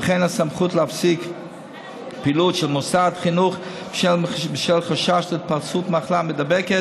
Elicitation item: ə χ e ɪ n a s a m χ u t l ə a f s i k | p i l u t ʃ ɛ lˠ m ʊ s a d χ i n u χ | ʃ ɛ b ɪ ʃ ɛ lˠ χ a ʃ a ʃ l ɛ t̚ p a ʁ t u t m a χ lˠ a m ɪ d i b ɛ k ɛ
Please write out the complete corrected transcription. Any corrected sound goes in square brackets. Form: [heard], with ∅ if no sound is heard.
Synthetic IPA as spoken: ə χ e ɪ n a s a m χ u t l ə a f s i k | p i l u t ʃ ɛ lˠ m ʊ s a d χ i n u χ | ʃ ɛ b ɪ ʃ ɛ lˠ χ a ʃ a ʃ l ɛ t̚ p a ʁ [t͡s] u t m a χ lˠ a m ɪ d [a] b ɛ k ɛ